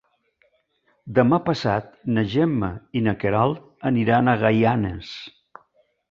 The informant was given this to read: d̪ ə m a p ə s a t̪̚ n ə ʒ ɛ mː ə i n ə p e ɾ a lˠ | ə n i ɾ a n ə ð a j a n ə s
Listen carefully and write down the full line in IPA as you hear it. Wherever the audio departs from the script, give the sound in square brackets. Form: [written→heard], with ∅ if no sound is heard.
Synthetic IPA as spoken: d̪ ə m a p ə s a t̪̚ n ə ʒ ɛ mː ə i n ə [p→k] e ɾ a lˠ | ə n i ɾ a n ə [ð→ɣ] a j a n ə s